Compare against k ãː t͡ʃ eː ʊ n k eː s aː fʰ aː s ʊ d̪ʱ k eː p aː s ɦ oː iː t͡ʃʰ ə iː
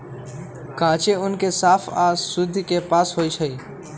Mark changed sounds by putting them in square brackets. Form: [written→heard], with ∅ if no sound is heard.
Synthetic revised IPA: k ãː t͡ʃ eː ʊ n k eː s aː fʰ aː s ʊ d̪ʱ k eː p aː s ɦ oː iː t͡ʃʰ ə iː